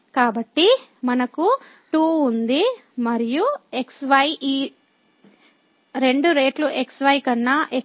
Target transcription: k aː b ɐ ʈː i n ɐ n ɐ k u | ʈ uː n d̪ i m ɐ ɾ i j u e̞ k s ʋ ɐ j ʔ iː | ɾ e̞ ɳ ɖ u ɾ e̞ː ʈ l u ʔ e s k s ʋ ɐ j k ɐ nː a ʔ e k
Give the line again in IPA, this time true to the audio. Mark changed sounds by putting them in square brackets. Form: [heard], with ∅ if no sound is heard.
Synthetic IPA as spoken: k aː b ɐ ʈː i [m] ɐ n ɐ k u | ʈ uː n d̪ i m ɐ ɾ i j u e̞ k s ʋ ɐ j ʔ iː | ɾ e̞ ɳ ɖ u ɾ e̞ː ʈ l u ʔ e [∅] k s ʋ ɐ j k ɐ nː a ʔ e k